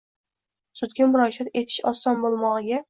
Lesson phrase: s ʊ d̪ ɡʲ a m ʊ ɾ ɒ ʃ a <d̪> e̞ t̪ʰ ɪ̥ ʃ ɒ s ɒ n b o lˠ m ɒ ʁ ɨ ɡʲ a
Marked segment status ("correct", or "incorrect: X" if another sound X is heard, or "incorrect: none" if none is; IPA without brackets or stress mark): incorrect: t̪